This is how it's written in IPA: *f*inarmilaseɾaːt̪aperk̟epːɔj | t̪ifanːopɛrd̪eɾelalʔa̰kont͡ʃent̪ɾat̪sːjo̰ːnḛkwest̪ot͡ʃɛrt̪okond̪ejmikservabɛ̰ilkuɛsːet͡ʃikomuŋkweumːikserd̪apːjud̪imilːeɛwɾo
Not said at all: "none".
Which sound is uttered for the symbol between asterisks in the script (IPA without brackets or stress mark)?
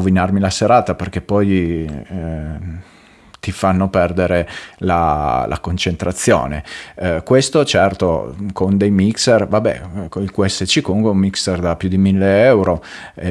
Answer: v